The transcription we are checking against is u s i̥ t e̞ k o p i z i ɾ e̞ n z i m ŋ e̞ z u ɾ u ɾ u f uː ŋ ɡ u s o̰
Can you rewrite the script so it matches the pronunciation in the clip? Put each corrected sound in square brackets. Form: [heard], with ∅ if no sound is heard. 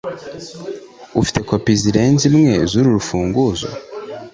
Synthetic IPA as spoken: u [f] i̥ t e̞ k o p i z i ɾ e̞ n z i m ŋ e̞ z u ɾ u ɾ u f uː ŋ ɡ u [z] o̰